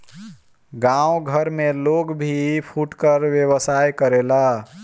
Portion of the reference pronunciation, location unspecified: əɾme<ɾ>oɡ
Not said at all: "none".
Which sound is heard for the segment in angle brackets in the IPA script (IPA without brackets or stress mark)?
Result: l